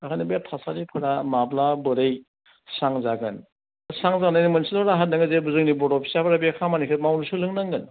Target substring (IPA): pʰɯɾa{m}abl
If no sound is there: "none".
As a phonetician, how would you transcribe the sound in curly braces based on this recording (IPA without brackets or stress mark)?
m